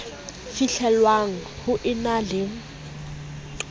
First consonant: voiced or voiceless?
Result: voiceless